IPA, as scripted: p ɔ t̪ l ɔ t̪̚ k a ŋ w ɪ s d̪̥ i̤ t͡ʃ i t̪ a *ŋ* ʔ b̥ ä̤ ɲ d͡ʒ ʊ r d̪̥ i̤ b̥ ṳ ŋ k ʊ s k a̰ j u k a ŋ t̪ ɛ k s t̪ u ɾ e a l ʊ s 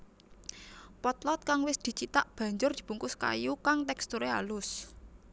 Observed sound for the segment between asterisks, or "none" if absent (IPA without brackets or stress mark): none